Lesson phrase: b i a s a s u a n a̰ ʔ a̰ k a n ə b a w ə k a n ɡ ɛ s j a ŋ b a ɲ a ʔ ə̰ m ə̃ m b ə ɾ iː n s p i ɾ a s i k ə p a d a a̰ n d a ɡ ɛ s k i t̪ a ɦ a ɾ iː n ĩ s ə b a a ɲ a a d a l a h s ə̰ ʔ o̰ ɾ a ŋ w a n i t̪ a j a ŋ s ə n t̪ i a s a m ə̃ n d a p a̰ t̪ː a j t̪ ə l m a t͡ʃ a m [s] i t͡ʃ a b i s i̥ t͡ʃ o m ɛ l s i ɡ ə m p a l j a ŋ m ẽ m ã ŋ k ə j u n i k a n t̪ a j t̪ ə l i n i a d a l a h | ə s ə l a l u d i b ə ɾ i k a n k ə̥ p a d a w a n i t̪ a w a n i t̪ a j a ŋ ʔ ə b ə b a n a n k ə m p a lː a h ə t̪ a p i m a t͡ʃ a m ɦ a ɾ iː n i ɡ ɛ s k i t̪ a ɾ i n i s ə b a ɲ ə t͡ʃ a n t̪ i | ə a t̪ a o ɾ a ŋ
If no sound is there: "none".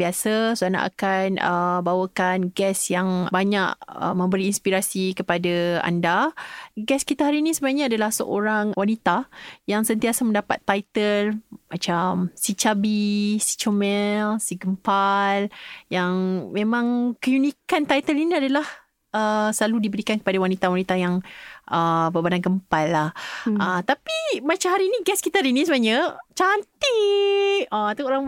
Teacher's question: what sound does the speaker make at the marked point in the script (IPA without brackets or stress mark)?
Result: s